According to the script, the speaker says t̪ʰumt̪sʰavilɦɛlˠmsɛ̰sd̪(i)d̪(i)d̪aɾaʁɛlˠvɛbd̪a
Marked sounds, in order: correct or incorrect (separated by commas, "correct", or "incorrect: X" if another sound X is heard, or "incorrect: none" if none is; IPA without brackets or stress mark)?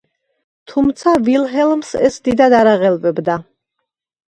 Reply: correct, incorrect: a